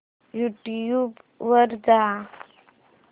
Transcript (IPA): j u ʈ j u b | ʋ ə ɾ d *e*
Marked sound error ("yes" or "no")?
yes